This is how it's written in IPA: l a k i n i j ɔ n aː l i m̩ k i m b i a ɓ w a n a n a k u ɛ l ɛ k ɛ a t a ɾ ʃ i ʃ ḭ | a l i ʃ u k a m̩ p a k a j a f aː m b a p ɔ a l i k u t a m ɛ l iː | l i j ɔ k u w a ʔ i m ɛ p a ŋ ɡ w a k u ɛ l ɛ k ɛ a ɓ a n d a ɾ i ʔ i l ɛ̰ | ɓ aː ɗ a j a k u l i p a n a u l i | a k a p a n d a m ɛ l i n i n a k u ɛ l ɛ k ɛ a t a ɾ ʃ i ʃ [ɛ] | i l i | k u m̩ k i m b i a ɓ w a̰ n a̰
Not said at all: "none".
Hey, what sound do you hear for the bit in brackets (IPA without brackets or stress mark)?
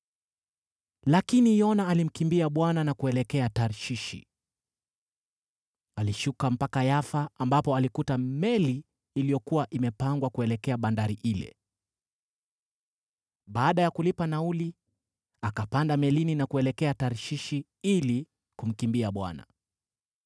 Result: i